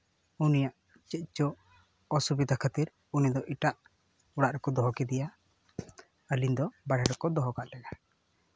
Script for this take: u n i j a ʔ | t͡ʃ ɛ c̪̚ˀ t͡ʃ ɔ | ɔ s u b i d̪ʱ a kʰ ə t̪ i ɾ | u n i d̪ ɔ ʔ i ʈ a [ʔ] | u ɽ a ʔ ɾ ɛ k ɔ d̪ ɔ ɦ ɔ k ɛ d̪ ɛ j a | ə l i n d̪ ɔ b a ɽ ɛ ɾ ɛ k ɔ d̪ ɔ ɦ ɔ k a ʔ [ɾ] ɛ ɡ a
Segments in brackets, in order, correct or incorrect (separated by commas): correct, incorrect